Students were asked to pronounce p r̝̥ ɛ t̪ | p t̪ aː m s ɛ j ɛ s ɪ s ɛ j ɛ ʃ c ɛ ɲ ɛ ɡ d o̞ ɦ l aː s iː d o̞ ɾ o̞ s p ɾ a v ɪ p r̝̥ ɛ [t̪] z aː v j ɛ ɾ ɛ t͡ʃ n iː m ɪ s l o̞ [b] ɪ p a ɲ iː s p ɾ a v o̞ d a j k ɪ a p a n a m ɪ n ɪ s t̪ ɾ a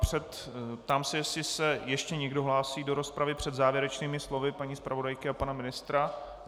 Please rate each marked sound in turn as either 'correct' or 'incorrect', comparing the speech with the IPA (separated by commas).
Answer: incorrect, incorrect